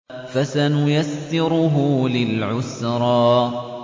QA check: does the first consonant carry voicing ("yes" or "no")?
no